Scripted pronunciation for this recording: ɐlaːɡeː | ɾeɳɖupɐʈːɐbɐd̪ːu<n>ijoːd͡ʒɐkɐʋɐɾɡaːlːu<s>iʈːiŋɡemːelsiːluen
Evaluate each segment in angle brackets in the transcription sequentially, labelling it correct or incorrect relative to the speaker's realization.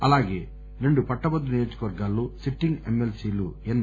correct, correct

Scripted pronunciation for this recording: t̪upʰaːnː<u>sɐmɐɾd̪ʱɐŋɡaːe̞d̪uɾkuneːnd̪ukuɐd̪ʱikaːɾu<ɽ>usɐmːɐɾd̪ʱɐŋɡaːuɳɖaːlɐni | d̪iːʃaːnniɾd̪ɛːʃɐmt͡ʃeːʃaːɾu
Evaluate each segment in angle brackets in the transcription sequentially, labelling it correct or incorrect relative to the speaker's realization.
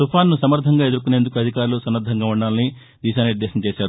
correct, incorrect: l

